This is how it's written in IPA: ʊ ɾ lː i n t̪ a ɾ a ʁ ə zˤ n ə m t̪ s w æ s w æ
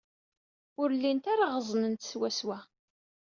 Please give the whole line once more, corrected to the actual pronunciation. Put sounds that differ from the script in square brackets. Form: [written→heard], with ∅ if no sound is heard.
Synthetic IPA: ʊ ɾ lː i n t̪ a ɾ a ʁ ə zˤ n ə [m→n] t̪ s w æ s w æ